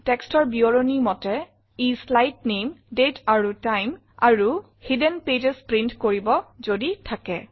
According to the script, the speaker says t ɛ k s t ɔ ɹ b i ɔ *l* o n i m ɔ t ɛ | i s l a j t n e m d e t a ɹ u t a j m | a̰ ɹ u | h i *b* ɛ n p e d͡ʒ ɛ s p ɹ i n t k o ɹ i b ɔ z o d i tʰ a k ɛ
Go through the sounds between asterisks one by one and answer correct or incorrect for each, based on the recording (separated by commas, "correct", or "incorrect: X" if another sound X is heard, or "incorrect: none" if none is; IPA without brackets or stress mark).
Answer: incorrect: ɹ, incorrect: d